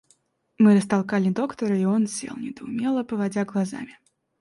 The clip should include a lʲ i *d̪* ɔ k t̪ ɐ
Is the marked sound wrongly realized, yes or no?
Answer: no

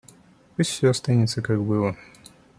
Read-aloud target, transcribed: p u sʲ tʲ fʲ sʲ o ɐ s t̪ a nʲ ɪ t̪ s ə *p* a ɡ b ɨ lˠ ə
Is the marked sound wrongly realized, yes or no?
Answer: yes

